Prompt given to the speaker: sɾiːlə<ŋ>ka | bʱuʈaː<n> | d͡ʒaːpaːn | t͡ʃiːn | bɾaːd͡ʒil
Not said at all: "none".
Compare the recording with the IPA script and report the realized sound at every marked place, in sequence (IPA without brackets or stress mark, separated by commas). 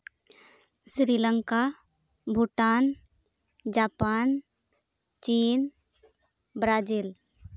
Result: ŋ, n